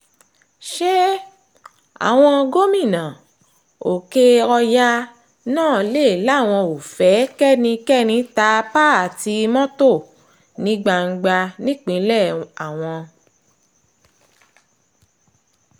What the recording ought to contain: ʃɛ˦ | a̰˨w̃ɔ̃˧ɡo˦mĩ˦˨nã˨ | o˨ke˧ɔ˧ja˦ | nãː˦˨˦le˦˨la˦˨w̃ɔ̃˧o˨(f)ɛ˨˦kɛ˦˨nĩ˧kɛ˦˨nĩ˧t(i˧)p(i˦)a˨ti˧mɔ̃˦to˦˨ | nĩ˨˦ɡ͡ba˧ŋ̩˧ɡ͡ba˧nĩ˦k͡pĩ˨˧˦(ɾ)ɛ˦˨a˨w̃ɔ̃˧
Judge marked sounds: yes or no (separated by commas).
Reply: yes, no, no, no